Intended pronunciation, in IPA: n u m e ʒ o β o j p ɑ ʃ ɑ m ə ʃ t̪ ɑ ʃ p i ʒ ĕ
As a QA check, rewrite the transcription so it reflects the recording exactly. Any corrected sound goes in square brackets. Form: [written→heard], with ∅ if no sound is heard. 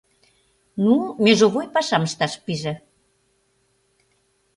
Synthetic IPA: n u m e ʒ o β o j p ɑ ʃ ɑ m ə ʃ t̪ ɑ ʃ p i ʒ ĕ